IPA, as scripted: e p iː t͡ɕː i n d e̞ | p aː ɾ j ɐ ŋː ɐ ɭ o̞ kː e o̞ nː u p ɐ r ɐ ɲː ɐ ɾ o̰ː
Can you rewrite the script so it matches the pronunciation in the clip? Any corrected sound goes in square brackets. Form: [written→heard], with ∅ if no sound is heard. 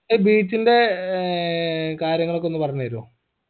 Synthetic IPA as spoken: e [p→b] iː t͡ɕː i n d e̞ | [p→k] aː ɾ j ɐ ŋː ɐ ɭ o̞ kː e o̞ nː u p ɐ r ɐ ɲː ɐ ɾ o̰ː